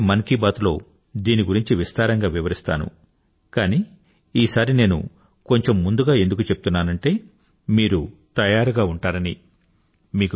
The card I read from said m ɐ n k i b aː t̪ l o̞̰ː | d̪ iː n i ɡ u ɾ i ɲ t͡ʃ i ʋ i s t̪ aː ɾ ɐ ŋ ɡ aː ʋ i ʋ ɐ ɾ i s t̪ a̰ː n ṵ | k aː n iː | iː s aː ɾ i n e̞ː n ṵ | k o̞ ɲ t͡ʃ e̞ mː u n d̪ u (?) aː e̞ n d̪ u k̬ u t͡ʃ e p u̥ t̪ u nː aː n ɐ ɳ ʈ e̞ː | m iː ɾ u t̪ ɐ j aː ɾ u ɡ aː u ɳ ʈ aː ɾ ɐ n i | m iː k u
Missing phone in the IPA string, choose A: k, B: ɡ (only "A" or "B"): B